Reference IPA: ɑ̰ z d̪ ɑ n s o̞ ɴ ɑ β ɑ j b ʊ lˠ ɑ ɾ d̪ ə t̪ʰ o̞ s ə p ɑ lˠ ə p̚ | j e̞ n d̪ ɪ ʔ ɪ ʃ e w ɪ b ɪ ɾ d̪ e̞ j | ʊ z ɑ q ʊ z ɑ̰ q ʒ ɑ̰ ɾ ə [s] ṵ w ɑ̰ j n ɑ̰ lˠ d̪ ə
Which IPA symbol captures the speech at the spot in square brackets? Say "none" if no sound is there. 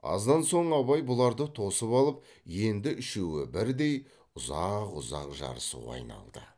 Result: s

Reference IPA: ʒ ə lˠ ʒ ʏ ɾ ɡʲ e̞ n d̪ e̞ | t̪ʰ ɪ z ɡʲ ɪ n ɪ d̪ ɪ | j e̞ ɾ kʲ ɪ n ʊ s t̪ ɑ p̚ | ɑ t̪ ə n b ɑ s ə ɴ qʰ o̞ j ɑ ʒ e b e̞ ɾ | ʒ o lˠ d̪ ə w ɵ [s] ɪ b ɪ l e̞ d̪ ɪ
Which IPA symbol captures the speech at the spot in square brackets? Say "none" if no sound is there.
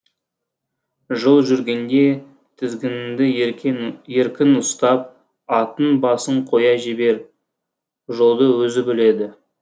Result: z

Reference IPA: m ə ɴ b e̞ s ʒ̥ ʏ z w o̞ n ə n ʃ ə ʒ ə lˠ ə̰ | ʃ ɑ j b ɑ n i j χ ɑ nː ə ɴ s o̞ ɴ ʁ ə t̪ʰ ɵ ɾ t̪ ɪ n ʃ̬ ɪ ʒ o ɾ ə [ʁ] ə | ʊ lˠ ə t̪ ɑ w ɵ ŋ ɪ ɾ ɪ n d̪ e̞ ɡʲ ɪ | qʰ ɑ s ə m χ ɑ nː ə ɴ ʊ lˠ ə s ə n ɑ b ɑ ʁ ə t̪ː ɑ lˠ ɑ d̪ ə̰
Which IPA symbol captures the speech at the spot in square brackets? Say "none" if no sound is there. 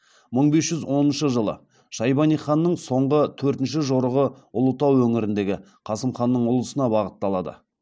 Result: ʁ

